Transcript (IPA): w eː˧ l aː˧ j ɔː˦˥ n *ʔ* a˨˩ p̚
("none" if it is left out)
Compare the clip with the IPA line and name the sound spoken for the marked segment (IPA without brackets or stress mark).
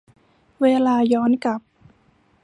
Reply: k